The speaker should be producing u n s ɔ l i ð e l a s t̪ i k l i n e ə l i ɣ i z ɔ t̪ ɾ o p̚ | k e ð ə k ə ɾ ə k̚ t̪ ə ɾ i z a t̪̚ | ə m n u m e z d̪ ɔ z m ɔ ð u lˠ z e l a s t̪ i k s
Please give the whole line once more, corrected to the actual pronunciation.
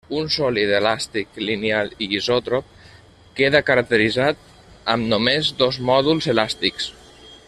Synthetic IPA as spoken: u n s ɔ l i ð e l a s t̪ i k l i n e a l i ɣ i z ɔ t̪ ɾ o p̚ | k e ð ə k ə ɾ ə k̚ t̪ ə ɾ i z a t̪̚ | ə m n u m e z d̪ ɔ z m ɔ ð u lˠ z e l a s t̪ i k s

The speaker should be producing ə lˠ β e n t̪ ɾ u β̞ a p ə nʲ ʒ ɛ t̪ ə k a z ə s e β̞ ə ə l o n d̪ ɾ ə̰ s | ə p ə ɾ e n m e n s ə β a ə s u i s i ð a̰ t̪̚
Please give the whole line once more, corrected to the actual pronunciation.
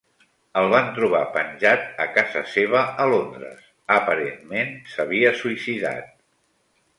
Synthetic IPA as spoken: ə lˠ β a n t̪ ɾ u β̞ a p ə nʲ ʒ a t̪ ə k a z ə s e β̞ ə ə l o n d̪ ɾ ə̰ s | ə p ə ɾ e n m e n s ə β i ə s u i s i ð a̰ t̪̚

